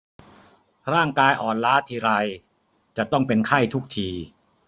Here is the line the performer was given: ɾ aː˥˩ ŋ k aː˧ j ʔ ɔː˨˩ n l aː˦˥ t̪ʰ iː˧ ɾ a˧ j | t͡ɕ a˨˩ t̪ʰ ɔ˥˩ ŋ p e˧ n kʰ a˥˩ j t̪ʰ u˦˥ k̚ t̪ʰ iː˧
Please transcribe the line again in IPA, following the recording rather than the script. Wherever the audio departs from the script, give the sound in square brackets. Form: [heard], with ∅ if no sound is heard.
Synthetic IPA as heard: ɾ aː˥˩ ŋ k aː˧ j ʔ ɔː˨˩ n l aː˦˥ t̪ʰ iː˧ ɾ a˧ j | t͡ɕ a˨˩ [t̪] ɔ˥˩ ŋ p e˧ n kʰ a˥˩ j t̪ʰ u˦˥ k̚ t̪ʰ iː˧